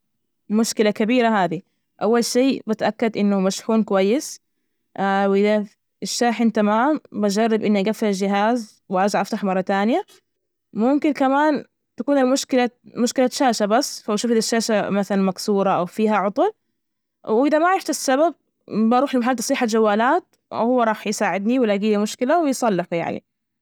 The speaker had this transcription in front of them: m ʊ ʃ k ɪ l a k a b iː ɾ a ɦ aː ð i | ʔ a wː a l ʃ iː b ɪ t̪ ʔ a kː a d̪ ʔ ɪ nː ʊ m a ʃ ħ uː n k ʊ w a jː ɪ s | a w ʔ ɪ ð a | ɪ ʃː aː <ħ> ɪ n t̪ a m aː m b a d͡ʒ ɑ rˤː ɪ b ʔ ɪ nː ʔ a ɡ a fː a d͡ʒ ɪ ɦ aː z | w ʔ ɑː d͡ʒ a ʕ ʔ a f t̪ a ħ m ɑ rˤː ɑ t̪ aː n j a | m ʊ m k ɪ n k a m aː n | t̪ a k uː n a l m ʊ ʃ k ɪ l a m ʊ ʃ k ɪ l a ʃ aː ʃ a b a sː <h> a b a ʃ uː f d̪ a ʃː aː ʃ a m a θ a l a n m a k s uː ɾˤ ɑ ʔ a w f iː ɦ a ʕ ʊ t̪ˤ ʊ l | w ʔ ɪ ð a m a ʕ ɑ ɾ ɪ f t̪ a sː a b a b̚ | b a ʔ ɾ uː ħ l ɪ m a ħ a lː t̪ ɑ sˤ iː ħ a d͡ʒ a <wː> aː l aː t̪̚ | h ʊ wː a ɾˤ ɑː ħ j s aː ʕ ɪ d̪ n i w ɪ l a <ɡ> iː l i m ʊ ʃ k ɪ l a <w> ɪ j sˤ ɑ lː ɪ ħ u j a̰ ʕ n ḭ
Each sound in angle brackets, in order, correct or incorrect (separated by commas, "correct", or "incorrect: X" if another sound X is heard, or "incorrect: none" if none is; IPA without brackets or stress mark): correct, incorrect: f, correct, correct, correct